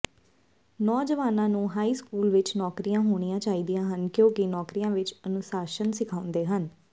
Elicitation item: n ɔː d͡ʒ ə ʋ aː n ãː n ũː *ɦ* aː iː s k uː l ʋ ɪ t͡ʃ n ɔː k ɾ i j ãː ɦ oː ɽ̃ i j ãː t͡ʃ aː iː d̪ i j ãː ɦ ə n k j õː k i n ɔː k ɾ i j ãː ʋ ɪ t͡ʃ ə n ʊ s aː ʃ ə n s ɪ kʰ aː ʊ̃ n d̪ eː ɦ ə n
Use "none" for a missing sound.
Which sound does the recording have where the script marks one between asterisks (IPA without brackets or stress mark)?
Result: ɦ